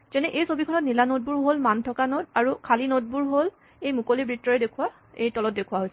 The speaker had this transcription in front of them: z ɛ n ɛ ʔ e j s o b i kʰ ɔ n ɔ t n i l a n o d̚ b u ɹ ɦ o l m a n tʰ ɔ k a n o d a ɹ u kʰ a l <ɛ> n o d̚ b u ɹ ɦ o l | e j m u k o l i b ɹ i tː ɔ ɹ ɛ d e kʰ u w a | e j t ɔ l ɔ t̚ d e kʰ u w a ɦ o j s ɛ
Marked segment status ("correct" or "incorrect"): incorrect